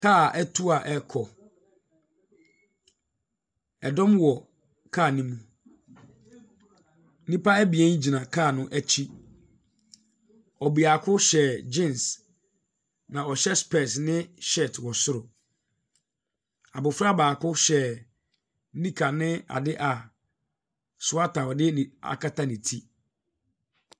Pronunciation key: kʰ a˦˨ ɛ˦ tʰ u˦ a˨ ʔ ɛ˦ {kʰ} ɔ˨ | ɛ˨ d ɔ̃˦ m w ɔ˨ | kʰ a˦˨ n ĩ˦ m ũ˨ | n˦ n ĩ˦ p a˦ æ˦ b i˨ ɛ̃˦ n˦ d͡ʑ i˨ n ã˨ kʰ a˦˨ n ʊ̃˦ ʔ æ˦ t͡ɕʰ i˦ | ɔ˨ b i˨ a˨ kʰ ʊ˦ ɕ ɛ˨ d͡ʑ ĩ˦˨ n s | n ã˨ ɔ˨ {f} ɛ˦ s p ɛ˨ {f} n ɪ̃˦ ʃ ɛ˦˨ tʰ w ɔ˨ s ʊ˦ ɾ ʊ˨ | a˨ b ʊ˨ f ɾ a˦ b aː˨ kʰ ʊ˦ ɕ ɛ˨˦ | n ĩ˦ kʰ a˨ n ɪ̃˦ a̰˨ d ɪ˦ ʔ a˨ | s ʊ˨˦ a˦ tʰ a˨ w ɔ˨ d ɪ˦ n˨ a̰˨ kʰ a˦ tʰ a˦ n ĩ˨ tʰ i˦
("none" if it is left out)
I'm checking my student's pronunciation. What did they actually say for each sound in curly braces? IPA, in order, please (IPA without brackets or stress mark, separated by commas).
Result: kʰ, ɕ, s